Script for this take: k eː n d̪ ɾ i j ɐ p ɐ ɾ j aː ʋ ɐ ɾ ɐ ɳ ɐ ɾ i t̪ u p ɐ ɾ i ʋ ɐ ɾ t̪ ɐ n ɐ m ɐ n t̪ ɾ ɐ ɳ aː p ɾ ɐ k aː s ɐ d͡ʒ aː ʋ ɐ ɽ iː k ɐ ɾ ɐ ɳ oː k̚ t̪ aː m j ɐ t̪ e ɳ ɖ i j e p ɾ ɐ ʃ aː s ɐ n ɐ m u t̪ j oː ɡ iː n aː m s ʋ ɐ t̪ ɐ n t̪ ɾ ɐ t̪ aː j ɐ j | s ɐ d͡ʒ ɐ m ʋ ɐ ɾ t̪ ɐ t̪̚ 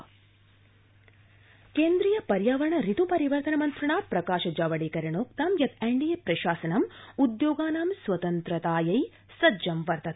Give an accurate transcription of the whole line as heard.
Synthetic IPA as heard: k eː n d̪ ɾ i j ɐ p ɐ ɾ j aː ʋ ɐ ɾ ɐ ɳ ɐ ɾ i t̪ u p ɐ ɾ i ʋ ɐ ɾ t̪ ɐ n ɐ m ɐ n t̪ ɾ ɐ ɳ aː p ɾ ɐ k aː ʃ ɐ d͡ʒ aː ʋ ɐ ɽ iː k ɐ ɾ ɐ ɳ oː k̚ t̪ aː m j ɐ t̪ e ɳ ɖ i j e p ɾ ɐ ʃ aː s ɐ n ɐ m u d̪ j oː ɡ aː n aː m s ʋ ɐ t̪ ɐ n t̪ ɾ ɐ t̪ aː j ɐ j | s ɐ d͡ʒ ɐ m ʋ ɐ ɾ t̪ ɐ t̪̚